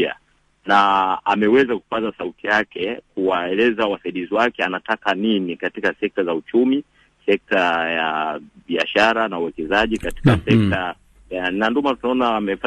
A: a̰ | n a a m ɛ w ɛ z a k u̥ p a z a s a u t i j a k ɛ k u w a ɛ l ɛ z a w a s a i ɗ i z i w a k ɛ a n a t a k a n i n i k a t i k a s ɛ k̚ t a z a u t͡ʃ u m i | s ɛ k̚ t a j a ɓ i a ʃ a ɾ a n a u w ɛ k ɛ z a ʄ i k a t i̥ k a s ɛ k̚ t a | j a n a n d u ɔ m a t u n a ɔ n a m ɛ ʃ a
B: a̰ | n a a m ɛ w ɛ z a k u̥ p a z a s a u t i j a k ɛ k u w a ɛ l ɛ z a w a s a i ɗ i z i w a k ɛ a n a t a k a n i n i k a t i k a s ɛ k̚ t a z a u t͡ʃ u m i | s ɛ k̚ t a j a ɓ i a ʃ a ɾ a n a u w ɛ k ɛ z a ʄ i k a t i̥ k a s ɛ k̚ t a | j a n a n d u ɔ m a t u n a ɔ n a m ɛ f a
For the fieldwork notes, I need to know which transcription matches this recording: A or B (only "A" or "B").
B